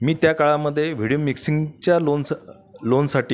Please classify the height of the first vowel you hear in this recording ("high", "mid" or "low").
high